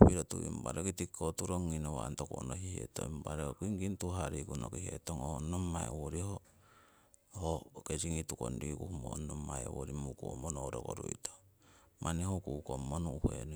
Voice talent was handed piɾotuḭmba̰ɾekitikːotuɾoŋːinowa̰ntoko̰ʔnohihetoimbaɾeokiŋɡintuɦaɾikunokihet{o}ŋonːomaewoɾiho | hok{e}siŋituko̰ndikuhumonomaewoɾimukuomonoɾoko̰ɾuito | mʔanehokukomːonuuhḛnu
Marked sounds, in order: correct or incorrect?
correct, correct

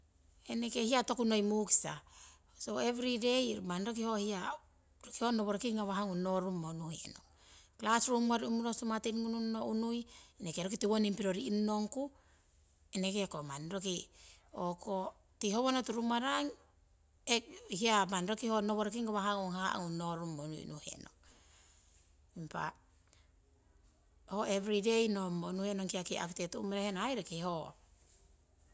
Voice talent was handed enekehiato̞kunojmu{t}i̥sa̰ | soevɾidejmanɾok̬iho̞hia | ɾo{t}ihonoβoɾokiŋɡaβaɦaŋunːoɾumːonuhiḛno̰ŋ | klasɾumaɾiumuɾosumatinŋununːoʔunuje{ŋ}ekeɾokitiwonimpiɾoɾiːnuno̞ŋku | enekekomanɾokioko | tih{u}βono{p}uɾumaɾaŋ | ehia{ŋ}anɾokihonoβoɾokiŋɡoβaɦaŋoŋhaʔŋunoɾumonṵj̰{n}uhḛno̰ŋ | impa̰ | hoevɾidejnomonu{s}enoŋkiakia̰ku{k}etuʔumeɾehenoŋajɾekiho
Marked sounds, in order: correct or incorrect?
incorrect, incorrect, incorrect, incorrect, incorrect, incorrect, correct, incorrect, incorrect

